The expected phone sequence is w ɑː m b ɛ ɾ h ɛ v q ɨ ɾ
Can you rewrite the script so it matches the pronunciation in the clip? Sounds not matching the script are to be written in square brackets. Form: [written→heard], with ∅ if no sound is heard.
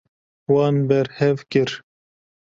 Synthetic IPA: w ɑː [m→n] b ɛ ɾ h ɛ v [q→k] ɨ ɾ